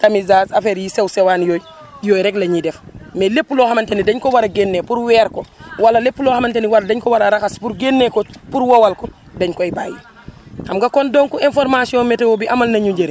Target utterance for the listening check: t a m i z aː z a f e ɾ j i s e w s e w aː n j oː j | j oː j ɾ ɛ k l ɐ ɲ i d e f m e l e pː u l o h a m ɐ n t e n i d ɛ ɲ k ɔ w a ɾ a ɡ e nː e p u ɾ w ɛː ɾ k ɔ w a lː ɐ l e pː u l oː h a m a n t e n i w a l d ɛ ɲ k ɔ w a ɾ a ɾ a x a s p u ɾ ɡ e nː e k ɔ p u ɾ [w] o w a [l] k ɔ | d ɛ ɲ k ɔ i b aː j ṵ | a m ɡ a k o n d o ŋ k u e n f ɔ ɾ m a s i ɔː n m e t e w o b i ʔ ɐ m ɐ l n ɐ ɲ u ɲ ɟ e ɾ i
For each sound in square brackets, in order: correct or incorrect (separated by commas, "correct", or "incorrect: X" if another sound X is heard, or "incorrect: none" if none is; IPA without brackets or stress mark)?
correct, correct